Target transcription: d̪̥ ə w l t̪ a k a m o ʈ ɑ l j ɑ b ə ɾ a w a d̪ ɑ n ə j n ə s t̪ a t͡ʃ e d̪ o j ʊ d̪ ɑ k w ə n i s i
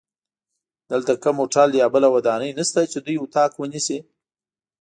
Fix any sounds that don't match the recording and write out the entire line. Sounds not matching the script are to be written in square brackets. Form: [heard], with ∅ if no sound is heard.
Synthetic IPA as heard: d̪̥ ə [∅] l t̪ a k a m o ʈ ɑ l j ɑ b ə [l] a w a d̪ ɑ n ə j n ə s t̪ a t͡ʃ e d̪ [u] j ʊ [t̪] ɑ k w ə n i s i